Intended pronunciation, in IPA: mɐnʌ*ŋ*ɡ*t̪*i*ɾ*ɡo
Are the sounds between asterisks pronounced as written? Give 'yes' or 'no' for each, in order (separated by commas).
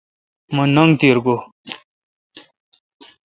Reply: yes, yes, yes